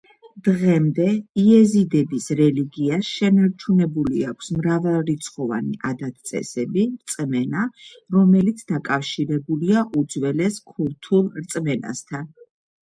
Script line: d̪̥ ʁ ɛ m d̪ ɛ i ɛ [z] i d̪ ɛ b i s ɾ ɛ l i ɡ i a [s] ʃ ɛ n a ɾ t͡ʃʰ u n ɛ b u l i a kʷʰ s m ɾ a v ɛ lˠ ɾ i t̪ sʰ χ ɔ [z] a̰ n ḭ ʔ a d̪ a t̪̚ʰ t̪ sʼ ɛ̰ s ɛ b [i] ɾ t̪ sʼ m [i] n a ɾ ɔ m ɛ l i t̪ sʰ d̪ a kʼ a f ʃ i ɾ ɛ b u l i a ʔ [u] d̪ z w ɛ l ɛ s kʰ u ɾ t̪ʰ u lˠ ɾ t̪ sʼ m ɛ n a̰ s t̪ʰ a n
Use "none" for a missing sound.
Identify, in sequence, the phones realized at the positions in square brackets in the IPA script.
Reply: z, s, v, i, ɛ, u

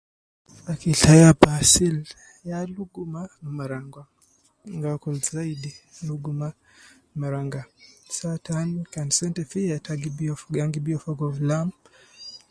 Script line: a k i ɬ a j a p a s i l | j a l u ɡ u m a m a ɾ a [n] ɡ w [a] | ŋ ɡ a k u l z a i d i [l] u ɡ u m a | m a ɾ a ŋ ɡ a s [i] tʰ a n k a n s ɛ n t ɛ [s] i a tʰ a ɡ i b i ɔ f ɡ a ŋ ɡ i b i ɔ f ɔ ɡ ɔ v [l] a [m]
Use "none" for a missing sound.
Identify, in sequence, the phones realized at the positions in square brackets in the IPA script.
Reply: ŋ, a, l, a, f, l, m

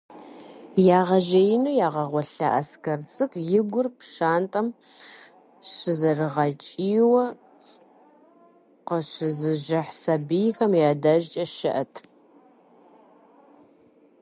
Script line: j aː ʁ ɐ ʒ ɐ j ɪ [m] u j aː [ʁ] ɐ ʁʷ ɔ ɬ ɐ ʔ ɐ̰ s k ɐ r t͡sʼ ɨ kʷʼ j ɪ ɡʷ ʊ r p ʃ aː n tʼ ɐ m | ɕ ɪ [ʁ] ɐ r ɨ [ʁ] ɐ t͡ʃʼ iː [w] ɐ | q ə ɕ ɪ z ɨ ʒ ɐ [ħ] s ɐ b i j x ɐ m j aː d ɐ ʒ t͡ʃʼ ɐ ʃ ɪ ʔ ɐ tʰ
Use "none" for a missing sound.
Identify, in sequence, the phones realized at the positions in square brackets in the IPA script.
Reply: n, ʁ, z, ʁ, w, ħ

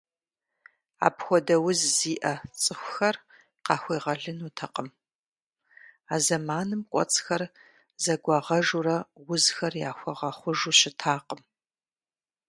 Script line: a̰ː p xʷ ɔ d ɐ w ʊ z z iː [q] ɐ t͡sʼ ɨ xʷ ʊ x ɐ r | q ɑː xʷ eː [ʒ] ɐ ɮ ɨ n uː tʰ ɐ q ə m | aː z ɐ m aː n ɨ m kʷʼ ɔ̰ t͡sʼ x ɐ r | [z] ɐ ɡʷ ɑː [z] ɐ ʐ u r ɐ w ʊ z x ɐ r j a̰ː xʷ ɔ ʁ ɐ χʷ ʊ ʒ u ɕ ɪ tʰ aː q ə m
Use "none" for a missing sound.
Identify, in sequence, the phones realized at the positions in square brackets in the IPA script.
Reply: ʔ, ʁ, z, ʁ

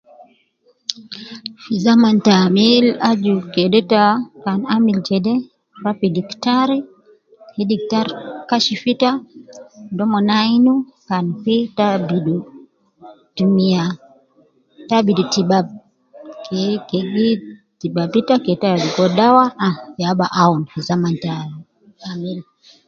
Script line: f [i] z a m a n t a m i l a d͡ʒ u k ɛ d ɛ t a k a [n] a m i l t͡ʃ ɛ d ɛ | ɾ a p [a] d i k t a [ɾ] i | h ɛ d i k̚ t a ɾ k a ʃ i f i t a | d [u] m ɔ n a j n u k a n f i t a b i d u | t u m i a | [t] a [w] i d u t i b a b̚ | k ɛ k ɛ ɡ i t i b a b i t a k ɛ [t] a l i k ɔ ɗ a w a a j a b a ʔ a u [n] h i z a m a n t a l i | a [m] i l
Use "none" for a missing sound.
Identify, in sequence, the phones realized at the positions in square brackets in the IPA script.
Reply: i, n, i, ɾ, ɔ, t, b, t, n, m

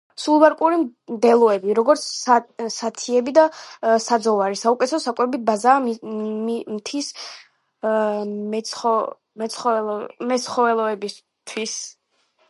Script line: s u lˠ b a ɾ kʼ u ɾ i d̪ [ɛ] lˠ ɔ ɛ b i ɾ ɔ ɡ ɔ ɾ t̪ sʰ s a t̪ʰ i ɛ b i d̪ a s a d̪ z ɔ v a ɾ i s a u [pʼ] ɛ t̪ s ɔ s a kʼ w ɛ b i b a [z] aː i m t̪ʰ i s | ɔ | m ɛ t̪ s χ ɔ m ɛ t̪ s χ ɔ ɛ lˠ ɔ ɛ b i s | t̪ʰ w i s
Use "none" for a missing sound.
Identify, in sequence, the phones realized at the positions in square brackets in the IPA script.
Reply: ɛ, kʼ, z

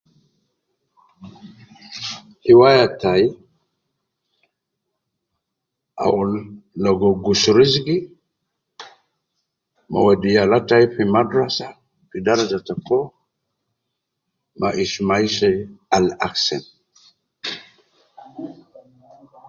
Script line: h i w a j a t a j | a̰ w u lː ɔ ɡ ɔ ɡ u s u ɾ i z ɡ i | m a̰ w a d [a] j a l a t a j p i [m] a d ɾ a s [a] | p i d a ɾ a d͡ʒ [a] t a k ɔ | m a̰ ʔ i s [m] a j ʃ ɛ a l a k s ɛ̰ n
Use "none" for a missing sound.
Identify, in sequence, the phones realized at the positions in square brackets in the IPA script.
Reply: i, m, a, a, m

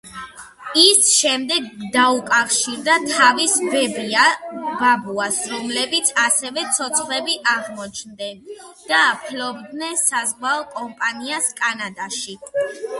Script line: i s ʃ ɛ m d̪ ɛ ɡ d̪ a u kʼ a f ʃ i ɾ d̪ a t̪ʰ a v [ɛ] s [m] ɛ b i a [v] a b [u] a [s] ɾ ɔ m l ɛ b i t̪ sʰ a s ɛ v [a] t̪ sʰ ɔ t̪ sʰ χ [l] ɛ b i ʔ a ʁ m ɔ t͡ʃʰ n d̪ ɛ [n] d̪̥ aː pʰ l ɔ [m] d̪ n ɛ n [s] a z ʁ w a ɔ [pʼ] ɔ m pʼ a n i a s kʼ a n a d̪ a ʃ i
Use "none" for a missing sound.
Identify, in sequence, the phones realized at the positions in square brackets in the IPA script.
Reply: i, b, b, u, s, ɛ, l, n, b, s, kʼ

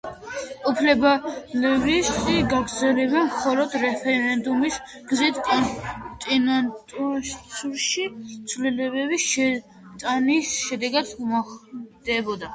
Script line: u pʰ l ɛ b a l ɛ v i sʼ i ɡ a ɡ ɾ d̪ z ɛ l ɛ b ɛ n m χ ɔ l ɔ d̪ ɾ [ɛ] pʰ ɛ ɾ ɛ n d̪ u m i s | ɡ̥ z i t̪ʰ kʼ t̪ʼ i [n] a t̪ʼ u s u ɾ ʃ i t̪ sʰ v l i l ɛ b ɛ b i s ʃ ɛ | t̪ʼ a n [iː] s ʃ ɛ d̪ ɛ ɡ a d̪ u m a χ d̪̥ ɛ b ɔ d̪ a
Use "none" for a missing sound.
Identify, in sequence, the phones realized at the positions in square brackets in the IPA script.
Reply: ɛ, n, i

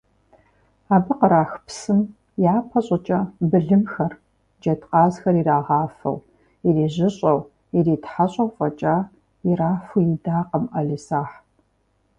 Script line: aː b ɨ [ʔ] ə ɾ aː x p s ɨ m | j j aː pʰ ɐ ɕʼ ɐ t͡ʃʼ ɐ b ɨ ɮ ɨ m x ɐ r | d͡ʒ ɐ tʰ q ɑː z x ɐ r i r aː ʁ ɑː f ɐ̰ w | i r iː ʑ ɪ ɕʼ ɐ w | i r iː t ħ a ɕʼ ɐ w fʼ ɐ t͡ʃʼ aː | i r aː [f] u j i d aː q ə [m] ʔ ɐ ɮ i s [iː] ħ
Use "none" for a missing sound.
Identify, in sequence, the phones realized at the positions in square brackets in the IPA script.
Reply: q, f, m, aː

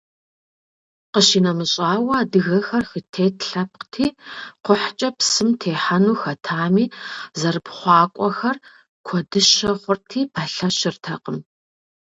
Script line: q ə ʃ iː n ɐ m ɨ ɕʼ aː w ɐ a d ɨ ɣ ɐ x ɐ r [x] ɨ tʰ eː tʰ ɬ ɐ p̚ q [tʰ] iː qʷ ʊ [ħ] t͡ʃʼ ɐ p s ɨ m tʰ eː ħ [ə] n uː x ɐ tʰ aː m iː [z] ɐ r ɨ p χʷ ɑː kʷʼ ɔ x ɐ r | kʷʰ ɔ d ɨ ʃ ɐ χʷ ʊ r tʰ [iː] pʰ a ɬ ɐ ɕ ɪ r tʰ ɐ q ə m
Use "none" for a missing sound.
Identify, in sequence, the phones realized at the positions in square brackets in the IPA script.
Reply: x, tʰ, ħ, a, z, iː

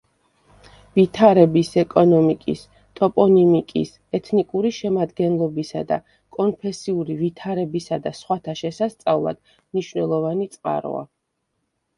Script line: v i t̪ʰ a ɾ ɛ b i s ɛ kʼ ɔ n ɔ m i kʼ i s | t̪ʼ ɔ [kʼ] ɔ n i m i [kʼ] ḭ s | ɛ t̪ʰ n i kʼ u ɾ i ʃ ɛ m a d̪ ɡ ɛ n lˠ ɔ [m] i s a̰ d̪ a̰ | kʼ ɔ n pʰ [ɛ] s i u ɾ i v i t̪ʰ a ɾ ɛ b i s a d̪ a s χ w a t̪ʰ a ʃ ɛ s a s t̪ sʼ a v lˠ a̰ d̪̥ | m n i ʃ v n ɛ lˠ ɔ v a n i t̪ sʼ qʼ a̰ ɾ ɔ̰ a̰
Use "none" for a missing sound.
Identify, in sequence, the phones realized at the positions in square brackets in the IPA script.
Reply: pʼ, kʼ, b, ɛ

